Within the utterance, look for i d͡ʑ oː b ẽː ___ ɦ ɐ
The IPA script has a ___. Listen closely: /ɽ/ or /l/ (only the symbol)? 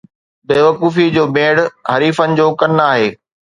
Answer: ɽ